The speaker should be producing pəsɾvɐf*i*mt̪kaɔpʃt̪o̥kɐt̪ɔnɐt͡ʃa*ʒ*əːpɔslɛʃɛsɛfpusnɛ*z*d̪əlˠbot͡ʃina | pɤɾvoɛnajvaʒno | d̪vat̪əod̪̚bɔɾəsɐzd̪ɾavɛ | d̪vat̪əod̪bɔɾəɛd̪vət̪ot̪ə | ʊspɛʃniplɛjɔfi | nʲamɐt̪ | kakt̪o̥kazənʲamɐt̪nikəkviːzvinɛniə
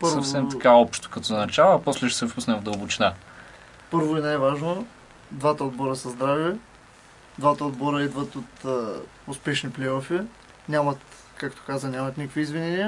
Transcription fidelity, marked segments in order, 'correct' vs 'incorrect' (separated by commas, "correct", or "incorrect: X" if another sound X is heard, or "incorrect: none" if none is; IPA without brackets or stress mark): incorrect: ɛ, incorrect: v, incorrect: v